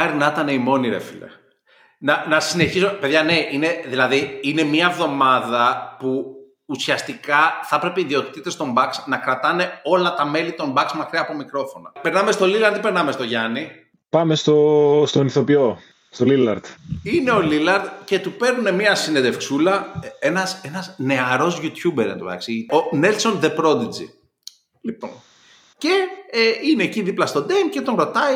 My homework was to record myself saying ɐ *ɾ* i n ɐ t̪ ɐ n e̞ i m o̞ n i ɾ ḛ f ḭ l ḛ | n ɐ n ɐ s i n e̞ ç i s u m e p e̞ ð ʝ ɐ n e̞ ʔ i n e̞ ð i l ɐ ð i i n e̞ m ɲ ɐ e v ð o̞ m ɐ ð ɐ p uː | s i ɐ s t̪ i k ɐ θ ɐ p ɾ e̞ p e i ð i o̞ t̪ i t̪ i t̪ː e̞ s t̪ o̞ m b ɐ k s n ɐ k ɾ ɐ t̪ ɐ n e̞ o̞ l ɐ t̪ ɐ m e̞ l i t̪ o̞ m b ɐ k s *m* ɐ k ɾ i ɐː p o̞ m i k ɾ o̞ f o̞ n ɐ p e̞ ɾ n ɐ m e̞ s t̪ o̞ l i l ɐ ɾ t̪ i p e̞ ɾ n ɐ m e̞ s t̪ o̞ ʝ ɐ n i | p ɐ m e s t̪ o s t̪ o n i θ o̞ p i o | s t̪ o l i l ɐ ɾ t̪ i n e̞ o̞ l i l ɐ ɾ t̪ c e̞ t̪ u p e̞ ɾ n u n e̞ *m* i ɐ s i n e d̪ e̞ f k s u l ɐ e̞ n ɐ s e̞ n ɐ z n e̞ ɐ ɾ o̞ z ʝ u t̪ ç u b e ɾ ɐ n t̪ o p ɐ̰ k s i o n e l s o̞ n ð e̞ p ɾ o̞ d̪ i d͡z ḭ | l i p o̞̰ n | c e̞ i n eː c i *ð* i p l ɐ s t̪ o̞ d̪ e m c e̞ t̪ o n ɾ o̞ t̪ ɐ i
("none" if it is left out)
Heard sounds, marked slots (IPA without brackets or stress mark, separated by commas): ɾ, m, m, ð